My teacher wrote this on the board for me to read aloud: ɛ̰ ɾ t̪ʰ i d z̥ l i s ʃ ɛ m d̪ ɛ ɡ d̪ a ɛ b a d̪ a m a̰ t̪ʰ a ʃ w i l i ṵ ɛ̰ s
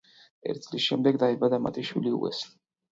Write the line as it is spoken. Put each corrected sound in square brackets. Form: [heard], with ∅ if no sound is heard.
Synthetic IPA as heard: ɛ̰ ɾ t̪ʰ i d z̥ l i s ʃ ɛ m d̪ ɛ ɡ d̪ a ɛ b a d̪ a m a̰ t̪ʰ [i] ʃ w i l i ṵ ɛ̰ s